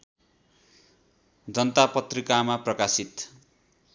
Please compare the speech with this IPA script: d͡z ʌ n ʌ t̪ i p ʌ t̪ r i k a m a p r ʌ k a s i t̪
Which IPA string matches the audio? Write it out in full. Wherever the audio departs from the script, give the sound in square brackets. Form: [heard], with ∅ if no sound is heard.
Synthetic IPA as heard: d͡z ʌ n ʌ t̪ [a] p ʌ t̪ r i k a m a p r ʌ k a s i t̪